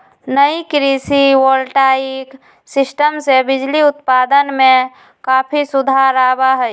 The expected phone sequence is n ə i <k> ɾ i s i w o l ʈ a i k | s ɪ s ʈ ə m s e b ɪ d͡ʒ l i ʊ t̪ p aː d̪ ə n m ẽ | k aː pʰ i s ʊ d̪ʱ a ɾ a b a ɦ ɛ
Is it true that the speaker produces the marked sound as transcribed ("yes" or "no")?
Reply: yes